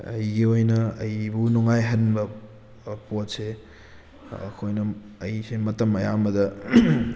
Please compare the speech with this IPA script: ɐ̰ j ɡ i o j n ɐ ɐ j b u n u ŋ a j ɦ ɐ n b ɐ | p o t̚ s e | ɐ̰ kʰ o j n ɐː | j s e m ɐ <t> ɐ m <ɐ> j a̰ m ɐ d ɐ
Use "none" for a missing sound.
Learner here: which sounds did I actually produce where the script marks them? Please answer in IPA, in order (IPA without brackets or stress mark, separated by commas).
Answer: t, ɐ